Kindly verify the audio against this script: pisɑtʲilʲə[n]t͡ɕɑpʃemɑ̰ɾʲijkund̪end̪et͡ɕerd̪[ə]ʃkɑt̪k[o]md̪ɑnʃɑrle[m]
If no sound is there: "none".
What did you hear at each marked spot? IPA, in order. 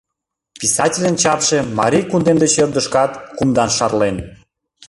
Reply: n, ə, u, n

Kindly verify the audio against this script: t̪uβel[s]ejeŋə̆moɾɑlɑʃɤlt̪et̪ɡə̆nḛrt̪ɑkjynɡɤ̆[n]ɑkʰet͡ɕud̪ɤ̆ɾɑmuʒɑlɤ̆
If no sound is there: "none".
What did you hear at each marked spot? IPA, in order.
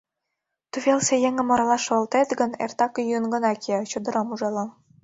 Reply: s, n

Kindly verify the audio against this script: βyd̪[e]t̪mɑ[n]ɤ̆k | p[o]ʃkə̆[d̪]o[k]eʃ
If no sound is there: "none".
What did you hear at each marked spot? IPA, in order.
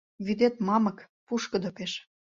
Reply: e, m, u, d̪, p

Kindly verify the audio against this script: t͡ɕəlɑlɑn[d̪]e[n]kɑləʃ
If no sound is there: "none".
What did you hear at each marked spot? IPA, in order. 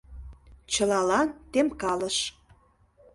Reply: t̪, m

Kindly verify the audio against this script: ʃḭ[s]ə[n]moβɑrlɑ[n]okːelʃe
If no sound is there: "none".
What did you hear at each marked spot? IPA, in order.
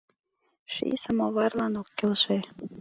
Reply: s, none, n

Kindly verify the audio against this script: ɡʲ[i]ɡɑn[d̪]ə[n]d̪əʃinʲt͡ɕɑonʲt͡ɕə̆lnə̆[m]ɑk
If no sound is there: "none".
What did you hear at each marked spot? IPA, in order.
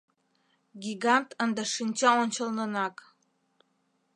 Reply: i, t̪, n, n

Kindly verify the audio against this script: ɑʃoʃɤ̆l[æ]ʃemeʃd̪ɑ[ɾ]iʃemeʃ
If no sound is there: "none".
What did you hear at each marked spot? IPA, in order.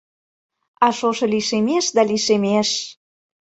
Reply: i, l

